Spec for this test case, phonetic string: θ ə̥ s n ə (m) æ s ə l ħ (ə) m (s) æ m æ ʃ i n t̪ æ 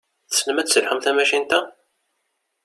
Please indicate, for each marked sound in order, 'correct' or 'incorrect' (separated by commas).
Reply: correct, correct, incorrect